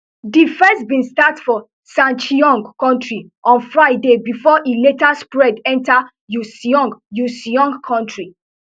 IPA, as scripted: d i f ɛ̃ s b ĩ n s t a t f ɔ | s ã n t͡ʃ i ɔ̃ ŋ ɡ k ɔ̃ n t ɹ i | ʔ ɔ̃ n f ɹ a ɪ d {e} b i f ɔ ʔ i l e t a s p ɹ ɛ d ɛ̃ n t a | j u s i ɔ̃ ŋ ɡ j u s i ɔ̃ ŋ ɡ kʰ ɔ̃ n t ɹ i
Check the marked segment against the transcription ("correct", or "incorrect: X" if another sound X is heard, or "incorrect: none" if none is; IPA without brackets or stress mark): correct